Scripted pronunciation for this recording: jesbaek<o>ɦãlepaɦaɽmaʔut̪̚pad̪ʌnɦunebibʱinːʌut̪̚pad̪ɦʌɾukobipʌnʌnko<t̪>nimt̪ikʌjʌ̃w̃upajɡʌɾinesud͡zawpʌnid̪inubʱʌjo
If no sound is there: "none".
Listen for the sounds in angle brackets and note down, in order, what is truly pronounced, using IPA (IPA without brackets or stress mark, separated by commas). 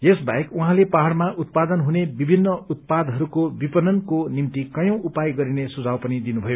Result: u, none